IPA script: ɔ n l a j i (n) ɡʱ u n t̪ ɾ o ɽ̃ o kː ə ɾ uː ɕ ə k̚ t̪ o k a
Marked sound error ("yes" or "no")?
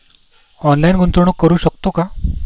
no